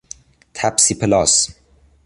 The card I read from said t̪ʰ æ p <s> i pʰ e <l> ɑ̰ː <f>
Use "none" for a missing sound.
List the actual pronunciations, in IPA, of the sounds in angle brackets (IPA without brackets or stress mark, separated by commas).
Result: s, l, s